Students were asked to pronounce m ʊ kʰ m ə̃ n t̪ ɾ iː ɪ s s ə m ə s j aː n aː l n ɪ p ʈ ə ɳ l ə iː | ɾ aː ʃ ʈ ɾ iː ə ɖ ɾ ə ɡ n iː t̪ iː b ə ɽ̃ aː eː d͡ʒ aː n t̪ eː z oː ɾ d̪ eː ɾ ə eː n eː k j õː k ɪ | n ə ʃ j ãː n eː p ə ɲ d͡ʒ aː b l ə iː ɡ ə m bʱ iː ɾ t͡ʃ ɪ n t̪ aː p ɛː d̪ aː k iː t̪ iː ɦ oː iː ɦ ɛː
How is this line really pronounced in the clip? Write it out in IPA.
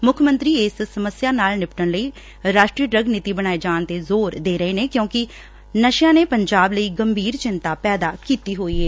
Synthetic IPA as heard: m ʊ kʰ m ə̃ n t̪ ɾ iː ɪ s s ə m ə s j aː n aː l n ɪ p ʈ ə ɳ l ə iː | ɾ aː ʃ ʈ ɾ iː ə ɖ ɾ ə ɡ n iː t̪ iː b ə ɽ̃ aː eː d͡ʒ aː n t̪ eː z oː ɾ d̪ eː ɾ ə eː n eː k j õː k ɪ | n ə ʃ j ãː n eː p ə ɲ d͡ʒ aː b l ə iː ɡ ə m bʱ iː ɾ t͡ʃ ɪ n t̪ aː p ɛː d̪ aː k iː t̪ iː ɦ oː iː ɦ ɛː